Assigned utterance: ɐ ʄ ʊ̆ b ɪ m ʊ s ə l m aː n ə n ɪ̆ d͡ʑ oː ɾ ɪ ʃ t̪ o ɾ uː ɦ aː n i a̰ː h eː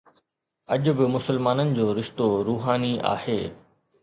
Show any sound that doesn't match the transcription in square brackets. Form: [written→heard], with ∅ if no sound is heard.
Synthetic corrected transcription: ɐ ʄ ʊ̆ b ɪ m ʊ s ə l m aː n ə n ɪ̆ d͡ʑ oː ɾ ɪ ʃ t̪ o ɾ uː ɦ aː n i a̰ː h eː